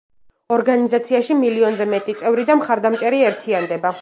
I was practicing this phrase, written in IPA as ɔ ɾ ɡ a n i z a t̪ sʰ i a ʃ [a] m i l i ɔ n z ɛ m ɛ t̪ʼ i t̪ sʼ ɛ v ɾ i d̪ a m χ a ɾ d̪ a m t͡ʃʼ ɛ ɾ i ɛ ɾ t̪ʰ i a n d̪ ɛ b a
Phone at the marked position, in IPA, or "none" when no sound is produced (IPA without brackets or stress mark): i